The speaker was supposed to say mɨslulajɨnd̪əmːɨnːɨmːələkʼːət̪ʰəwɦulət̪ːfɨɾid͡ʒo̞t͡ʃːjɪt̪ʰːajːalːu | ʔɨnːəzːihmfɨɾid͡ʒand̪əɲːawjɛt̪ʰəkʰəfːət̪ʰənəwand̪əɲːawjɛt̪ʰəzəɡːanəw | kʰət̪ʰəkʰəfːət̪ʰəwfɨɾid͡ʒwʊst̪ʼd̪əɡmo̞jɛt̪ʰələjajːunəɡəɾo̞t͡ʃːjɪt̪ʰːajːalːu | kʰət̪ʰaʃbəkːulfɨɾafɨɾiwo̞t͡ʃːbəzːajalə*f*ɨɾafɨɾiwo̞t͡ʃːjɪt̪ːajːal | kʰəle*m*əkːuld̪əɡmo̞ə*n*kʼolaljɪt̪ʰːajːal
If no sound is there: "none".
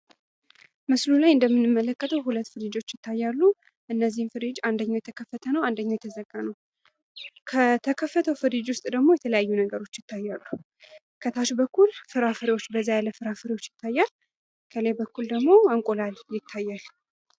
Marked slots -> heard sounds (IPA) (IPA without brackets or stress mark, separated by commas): f, b, ŋ